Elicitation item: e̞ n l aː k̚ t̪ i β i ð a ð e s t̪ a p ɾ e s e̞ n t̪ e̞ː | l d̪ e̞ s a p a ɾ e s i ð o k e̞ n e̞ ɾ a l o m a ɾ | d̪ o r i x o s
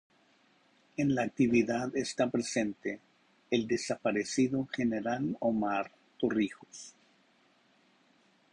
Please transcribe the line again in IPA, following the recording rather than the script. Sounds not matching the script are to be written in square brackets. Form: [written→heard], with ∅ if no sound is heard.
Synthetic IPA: e̞ n l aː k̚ t̪ i β i ð a ð e s t̪ a p ɾ e s e̞ n t̪ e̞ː | l d̪ e̞ s a p a ɾ e s i ð o [k→x] e̞ n e̞ ɾ a l o m a ɾ | [d̪→t̪] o r i x o s